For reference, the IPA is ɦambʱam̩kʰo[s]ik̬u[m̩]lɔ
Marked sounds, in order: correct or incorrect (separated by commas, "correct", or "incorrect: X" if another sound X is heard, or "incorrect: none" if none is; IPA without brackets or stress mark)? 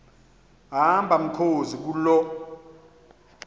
incorrect: z, incorrect: none